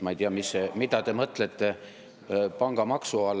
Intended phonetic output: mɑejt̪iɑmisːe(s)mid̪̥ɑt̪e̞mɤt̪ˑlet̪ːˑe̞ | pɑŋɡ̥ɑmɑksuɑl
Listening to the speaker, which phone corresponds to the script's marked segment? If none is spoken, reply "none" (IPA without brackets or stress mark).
none